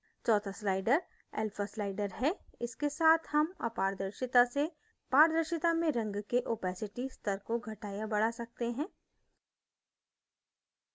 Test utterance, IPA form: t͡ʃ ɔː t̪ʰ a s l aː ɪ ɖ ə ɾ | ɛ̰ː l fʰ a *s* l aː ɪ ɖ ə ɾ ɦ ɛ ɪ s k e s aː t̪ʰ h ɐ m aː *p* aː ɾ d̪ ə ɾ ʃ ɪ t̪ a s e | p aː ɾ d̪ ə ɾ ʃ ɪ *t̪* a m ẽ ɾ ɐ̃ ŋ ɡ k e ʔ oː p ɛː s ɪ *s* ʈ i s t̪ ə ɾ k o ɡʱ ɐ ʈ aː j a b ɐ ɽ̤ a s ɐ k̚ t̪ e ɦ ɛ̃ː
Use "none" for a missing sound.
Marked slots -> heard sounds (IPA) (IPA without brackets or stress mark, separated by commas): s, p, t̪, none